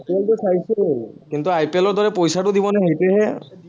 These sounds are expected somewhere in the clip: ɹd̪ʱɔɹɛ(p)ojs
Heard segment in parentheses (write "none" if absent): p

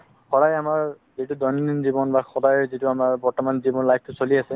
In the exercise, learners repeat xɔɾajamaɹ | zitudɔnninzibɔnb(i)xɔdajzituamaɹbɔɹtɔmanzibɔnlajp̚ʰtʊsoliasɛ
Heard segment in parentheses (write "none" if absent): a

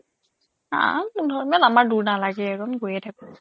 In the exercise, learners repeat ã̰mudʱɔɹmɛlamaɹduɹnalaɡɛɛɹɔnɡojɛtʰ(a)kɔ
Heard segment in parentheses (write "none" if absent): a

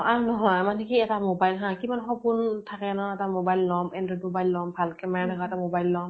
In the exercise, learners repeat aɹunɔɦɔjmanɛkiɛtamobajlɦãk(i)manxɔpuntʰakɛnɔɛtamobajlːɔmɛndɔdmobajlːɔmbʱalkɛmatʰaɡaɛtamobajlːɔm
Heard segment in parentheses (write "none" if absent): i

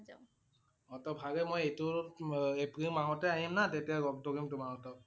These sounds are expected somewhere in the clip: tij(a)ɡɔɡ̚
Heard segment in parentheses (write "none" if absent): a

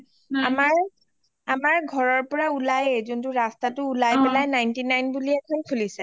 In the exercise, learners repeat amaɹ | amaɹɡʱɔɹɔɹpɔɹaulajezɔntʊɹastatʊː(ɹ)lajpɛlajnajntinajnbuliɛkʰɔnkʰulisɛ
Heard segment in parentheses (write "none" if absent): none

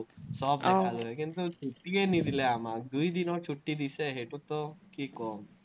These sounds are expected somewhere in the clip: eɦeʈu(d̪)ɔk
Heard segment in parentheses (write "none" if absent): t̪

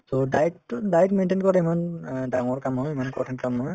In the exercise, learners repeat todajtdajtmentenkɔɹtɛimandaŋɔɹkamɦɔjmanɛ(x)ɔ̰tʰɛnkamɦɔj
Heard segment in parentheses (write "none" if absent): k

